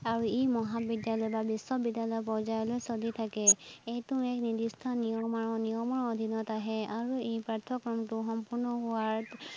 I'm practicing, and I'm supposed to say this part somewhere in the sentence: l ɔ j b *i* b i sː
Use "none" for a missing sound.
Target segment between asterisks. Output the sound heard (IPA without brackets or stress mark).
a